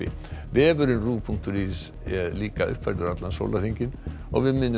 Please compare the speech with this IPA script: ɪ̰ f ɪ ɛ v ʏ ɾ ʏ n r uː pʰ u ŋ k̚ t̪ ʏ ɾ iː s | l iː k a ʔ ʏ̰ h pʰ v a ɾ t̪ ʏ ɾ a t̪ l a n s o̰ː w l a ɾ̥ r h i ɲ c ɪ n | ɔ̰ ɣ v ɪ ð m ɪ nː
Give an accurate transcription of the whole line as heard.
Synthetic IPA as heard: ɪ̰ v ɪ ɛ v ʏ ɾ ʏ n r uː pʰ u ŋ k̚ t̪ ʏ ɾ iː s | l iː k a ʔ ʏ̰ h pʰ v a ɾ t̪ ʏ ɾ a t̪ l a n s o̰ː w l a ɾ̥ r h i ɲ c ɪ n | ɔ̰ ɣ v ɪ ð m ɪ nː